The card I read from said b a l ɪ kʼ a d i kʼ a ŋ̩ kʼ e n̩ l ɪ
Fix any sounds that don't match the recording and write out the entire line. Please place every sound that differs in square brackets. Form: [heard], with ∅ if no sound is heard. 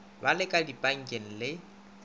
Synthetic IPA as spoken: b a l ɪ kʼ a d i [pʼ] a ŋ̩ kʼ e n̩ l ɪ